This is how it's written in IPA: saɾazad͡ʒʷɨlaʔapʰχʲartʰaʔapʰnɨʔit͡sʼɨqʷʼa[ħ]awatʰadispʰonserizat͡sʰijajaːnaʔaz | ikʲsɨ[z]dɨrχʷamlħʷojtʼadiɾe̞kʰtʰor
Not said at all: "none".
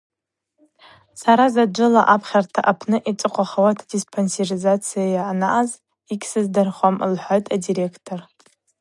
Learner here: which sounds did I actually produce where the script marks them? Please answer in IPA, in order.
χ, z

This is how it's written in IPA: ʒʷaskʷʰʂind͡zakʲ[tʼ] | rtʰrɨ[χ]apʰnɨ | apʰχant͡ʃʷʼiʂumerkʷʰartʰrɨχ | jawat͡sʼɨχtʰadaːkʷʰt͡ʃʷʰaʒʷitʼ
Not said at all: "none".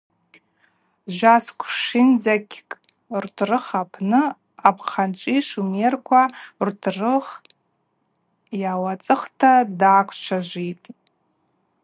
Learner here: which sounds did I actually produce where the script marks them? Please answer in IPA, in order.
kʼ, χ

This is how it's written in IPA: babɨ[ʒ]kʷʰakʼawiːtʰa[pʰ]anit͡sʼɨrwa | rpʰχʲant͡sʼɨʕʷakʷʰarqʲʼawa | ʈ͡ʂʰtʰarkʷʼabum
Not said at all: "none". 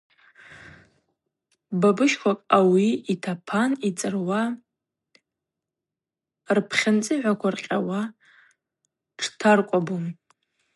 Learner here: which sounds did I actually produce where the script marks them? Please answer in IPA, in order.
ʃ, pʰ

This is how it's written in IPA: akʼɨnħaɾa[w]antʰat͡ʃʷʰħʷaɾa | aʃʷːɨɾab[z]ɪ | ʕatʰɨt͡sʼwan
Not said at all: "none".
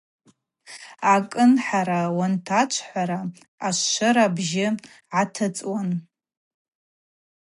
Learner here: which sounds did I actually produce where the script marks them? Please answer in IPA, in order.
w, ʒ

